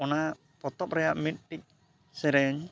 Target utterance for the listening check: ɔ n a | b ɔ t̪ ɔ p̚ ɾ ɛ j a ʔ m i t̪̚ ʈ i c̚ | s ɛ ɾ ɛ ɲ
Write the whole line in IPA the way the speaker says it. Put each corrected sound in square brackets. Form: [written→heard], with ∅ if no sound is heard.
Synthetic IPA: ɔ n a | [b→p] ɔ t̪ ɔ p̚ ɾ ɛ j a ʔ m i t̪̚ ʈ i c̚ | s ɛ ɾ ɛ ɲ